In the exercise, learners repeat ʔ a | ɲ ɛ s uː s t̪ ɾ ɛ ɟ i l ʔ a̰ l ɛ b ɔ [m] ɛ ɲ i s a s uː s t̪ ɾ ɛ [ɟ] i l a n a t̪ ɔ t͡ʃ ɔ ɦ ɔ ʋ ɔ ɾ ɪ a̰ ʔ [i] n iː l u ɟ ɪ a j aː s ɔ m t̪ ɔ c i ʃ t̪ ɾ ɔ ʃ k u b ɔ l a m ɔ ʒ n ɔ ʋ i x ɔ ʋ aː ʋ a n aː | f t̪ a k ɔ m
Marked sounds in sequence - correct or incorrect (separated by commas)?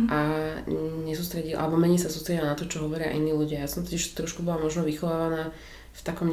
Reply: correct, correct, correct